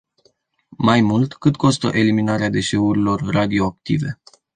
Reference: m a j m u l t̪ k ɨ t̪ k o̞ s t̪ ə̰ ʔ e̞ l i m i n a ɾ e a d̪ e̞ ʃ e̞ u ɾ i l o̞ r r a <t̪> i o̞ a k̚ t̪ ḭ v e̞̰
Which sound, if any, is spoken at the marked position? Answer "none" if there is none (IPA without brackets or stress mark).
d̪